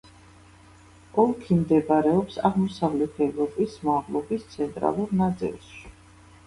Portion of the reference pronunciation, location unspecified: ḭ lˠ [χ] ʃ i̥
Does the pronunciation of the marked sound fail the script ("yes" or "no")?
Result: yes